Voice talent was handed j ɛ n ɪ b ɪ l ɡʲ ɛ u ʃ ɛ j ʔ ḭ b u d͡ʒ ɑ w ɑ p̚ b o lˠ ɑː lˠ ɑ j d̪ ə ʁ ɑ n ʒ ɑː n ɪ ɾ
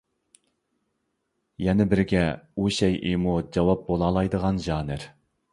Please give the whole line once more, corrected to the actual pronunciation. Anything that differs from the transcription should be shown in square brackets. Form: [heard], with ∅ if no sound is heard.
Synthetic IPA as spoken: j ɛ n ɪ b ɪ [ɾ] ɡʲ ɛ u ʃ ɛ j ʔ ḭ [m] u d͡ʒ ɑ w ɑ p̚ b o lˠ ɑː lˠ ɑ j d̪ ə ʁ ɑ n ʒ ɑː n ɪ ɾ